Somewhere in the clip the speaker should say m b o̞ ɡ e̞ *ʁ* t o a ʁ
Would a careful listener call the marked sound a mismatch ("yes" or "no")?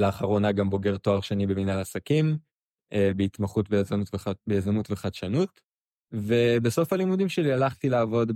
no